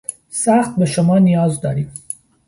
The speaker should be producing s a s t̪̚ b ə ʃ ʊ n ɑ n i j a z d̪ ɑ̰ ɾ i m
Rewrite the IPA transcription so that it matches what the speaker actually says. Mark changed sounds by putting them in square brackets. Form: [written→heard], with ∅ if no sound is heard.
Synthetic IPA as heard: s a [s→x] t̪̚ b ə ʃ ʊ [n→m] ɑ n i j [a→ɑ] z d̪ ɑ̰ ɾ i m